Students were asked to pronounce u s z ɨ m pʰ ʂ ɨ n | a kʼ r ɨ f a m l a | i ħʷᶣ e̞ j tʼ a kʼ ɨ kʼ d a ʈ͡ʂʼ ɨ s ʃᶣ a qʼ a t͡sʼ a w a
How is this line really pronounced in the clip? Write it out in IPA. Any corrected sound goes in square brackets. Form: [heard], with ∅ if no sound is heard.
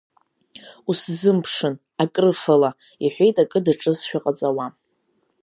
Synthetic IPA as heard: u s z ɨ m pʰ ʂ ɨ n | a kʼ r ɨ f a [∅] l a | i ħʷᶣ e̞ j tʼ a kʼ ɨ [∅] d a ʈ͡ʂʼ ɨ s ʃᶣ a qʼ a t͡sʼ a w a